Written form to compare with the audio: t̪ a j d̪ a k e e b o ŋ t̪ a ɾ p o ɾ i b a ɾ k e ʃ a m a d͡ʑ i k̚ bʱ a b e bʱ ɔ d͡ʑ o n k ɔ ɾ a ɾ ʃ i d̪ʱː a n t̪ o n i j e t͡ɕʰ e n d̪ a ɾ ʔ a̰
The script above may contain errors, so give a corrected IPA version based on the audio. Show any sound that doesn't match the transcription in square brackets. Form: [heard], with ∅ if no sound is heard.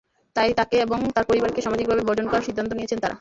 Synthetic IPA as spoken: t̪ a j [t̪] a k e e b o ŋ t̪ a ɾ p o ɾ i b a ɾ k e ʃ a m a d͡ʑ i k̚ bʱ a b e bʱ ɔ d͡ʑ o n k ɔ ɾ a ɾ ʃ i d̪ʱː a n t̪ o n i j e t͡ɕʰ e n [t̪] a ɾ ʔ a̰